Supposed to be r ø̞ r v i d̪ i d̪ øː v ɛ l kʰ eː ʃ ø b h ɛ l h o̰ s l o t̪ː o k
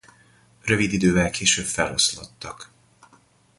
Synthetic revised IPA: r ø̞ v i d̪ i d̪ øː v ɛ l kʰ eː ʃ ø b f ɛ l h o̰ s l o t̪ː ɒ k